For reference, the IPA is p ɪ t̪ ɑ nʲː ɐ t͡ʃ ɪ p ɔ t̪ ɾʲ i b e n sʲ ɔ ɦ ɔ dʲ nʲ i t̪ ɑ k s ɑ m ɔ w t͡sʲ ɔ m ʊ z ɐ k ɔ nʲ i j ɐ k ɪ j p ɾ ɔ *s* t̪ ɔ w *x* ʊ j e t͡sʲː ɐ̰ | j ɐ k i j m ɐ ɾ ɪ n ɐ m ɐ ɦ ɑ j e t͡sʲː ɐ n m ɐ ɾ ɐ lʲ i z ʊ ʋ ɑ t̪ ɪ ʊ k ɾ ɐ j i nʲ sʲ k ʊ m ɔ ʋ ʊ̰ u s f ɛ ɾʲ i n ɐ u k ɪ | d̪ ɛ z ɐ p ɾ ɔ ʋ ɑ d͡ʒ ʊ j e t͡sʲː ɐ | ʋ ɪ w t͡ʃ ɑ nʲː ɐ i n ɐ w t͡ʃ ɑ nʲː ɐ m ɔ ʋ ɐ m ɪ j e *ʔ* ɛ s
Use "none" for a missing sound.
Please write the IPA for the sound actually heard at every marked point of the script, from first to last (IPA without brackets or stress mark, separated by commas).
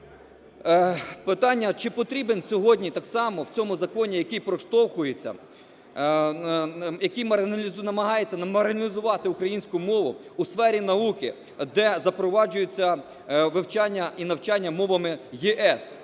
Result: ʃ, x, ʔ